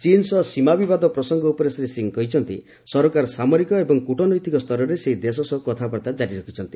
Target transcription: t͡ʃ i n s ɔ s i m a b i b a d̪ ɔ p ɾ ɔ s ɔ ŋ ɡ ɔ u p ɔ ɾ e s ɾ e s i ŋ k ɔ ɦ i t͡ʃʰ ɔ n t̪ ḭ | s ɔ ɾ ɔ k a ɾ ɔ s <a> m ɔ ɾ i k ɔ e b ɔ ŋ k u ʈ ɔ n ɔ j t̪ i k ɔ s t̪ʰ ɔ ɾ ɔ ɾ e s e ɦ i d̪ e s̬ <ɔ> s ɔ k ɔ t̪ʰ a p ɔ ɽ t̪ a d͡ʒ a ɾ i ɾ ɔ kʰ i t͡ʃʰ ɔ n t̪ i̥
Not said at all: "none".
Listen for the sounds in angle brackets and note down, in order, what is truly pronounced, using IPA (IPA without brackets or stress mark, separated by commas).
a, ɔ